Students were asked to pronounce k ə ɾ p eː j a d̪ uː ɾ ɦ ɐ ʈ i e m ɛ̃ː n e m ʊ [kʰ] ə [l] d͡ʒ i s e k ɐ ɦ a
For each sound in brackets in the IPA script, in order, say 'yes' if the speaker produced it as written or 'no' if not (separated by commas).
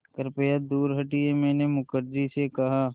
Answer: no, no